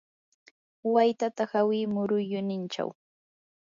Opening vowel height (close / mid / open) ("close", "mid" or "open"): open